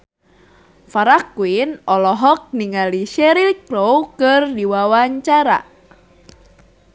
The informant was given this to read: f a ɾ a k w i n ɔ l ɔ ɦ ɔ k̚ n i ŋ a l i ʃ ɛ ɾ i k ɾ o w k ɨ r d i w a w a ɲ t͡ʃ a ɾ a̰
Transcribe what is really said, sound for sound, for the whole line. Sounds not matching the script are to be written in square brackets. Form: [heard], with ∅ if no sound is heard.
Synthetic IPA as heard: f a ɾ a k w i n ɔ l ɔ ɦ ɔ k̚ n i ŋ a l i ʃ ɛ ɾ i k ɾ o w k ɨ r d i w a w a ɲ t͡ʃ a ɾ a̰